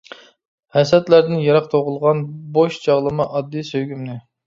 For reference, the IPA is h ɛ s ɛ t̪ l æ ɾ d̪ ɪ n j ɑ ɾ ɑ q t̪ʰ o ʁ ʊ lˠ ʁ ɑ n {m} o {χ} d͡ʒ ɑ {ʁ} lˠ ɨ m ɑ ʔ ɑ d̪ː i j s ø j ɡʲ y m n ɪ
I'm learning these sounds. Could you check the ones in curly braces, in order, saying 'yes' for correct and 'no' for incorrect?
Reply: no, no, yes

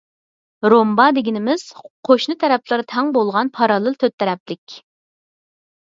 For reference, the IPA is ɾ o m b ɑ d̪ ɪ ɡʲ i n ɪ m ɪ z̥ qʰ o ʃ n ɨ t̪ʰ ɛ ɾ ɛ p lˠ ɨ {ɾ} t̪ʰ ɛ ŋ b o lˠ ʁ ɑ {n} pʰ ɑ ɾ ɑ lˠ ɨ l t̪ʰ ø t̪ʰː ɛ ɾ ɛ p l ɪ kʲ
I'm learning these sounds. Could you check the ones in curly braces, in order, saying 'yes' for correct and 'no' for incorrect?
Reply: yes, yes

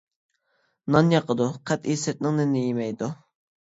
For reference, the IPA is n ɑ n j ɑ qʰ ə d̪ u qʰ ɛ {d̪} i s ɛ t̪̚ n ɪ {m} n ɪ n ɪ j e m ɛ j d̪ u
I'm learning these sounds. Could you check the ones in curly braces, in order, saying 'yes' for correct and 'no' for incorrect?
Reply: no, no

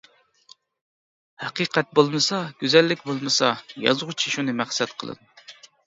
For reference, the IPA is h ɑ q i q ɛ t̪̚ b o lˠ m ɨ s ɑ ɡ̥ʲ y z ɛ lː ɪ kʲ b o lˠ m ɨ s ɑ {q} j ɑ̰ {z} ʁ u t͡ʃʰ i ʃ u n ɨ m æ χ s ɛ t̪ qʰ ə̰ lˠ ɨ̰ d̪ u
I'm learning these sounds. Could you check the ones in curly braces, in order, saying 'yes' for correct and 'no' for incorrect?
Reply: no, yes

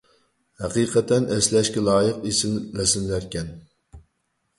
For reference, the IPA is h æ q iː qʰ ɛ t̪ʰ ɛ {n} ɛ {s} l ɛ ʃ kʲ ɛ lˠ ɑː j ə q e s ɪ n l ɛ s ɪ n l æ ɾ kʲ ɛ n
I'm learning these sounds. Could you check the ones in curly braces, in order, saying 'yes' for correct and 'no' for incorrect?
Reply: yes, yes

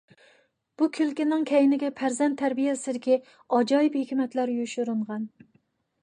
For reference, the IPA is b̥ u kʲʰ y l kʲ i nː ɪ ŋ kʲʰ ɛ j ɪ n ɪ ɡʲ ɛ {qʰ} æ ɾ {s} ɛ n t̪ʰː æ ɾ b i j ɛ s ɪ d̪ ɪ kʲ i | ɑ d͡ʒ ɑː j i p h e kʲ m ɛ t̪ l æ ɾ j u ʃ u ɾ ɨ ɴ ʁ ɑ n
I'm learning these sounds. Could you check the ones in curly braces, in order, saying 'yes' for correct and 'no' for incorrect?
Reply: no, no

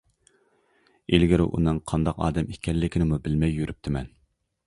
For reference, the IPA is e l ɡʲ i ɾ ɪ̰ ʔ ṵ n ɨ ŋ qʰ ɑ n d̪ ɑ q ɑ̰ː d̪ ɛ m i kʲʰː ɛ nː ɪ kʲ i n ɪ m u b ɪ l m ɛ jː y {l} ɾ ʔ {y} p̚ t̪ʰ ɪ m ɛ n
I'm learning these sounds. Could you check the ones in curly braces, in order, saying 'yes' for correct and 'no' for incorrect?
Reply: no, yes

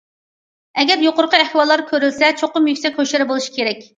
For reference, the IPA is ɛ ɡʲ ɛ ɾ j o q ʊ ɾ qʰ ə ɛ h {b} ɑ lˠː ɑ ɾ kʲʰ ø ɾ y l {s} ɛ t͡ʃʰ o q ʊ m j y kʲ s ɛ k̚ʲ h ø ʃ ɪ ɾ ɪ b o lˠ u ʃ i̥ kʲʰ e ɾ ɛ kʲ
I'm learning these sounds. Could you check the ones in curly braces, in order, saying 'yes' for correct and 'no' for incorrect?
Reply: no, yes

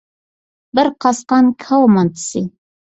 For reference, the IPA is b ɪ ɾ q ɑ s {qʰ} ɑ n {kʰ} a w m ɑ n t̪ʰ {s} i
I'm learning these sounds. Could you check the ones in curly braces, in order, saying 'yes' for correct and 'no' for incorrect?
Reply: no, yes, yes

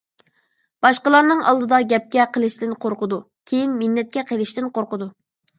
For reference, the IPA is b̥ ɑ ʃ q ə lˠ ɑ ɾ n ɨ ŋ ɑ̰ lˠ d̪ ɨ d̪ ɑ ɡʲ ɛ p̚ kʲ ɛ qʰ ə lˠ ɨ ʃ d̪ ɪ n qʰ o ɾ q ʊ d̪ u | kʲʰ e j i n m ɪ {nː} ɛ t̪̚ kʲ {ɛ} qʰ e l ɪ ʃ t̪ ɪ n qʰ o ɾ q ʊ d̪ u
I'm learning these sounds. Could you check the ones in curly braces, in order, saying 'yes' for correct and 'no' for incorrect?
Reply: yes, yes

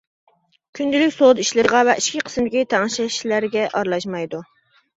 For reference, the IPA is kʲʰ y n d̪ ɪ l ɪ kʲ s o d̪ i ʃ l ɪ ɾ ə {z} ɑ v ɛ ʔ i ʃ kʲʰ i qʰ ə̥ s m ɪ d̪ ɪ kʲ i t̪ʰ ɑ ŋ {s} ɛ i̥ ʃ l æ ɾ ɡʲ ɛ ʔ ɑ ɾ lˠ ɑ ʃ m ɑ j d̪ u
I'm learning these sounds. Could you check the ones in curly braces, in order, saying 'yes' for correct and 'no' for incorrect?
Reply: no, no

